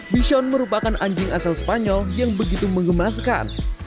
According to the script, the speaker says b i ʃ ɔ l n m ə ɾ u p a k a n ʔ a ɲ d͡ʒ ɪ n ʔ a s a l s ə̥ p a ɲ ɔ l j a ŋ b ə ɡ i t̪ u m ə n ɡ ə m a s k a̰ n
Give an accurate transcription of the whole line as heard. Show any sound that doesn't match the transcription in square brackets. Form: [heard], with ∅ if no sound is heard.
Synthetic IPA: b i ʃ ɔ [∅] n m ə ɾ u p a k a n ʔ a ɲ d͡ʒ ɪ [ŋ] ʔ a s a l s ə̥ p a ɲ ɔ l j a ŋ b ə ɡ i t̪ u m ə [ŋ] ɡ ə m a s k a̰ n